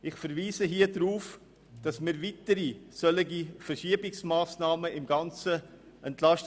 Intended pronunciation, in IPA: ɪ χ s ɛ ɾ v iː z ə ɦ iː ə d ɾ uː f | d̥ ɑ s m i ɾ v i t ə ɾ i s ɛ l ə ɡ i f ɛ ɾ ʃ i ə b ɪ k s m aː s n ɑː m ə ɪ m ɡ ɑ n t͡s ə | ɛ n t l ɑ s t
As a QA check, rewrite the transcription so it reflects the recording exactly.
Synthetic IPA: ɪ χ f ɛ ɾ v iː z ə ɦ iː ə d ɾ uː f | d̥ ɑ s m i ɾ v i t ə ɾ i s œ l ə ɡ i f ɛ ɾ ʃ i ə b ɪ k s m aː s n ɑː m ə ɪ m ɡ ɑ n t͡s ə | ɛ n t l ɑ ʃ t